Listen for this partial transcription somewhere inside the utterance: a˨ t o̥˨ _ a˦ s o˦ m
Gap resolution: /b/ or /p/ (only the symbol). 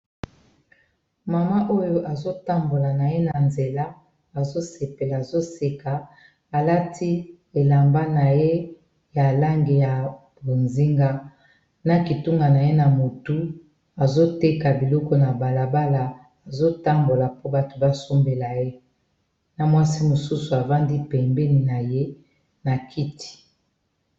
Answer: b